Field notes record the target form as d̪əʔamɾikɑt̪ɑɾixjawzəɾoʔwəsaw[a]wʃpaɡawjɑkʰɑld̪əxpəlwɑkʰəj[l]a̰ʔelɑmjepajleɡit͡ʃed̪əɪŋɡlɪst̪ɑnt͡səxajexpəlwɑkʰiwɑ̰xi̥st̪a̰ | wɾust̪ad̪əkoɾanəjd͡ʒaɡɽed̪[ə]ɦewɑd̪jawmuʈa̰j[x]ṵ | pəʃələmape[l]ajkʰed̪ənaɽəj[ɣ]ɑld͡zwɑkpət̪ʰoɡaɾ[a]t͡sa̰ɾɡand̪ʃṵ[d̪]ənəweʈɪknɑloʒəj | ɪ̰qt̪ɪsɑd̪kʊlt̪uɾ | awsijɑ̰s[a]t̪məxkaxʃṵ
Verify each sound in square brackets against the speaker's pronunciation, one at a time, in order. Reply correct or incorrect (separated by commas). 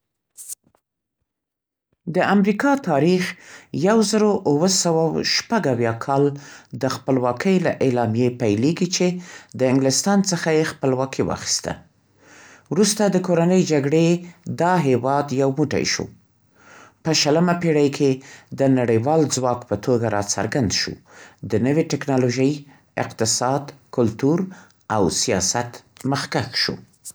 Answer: correct, correct, incorrect, incorrect, incorrect, incorrect, incorrect, correct, correct